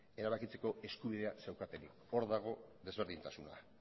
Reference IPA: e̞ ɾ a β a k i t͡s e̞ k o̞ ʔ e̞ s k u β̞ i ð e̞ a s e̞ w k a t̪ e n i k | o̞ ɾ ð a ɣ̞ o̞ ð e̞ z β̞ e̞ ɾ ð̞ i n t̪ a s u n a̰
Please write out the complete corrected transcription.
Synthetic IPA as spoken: e̞ ɾ a β a k i t͡s e̞ k o̞ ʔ e̞ s k u β̞ i ð e̞ a s e̞ w k a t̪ e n i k | o̞ ɾ ð a ɣ̞ o̞ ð e̞ z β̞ e̞ ɾ ð̞ i n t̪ a s u n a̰